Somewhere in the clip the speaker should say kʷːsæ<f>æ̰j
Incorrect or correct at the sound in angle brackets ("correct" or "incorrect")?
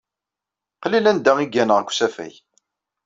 correct